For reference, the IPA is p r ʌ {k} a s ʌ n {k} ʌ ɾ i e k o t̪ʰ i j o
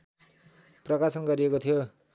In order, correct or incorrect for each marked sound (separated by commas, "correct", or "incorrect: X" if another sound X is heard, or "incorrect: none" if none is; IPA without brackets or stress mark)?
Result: correct, incorrect: ɡ